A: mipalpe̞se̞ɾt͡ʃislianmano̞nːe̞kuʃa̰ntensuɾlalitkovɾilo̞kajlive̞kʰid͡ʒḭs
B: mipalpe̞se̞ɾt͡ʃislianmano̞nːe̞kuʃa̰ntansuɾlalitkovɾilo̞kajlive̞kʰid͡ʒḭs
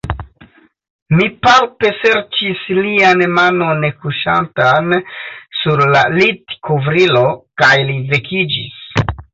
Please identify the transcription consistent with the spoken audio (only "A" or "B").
B